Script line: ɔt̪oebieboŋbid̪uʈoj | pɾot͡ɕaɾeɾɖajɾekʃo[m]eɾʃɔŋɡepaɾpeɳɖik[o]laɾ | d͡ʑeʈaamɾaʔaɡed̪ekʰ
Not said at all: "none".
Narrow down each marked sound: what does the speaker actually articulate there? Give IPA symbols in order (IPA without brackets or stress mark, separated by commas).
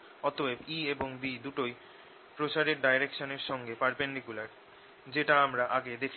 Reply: n, u